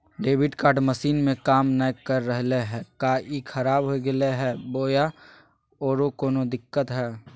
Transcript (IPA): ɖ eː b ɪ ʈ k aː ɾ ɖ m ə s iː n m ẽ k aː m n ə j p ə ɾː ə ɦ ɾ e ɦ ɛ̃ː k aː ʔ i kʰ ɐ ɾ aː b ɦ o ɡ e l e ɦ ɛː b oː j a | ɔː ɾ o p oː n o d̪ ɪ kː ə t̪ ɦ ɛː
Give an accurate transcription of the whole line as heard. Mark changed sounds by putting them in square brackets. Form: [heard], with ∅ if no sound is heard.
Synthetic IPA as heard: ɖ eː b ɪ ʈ k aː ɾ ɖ m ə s iː n m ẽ k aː m n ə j [k] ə ɾː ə ɦ [l] e ɦ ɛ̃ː k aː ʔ i kʰ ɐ ɾ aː b ɦ o ɡ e l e ɦ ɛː b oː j a | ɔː ɾ o [k] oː n o d̪ ɪ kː ə t̪ ɦ ɛː